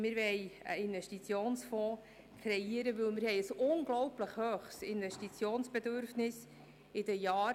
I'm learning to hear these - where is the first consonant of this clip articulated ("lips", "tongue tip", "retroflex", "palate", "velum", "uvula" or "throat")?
lips